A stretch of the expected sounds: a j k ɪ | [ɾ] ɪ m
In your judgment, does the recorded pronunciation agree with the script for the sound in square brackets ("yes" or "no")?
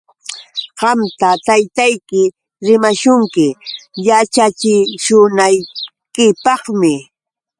yes